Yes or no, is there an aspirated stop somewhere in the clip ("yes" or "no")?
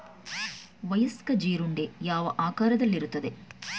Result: no